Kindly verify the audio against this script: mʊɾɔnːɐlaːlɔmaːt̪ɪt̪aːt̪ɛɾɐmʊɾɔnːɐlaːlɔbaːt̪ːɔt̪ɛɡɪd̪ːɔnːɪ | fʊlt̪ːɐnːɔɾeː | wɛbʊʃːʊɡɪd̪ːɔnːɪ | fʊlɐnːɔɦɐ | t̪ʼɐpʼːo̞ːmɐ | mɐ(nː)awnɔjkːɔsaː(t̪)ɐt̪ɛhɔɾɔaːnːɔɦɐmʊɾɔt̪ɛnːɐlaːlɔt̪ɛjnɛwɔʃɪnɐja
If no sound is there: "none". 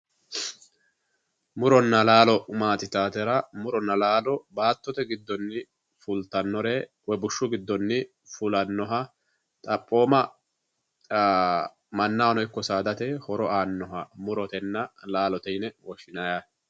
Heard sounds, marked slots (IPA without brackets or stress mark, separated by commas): nː, d̪